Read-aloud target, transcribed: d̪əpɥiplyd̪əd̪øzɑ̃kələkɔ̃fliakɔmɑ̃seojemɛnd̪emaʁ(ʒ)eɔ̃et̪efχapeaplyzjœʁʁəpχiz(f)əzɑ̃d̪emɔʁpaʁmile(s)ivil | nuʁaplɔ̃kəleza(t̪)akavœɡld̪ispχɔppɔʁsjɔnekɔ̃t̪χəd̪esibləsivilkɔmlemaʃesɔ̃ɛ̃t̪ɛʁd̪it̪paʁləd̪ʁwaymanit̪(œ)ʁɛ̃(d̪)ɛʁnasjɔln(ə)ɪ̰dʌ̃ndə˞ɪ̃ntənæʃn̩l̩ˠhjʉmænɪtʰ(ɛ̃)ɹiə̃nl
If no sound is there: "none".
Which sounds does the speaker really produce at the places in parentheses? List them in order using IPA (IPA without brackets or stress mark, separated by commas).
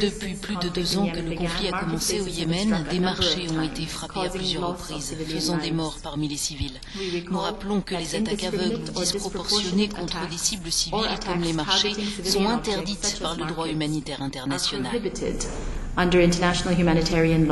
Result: ʃ, f, s, t̪, ɛ, t̪, a, ɛ